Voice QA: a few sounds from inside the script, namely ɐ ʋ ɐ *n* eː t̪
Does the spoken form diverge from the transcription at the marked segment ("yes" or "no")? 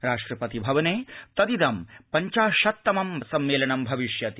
no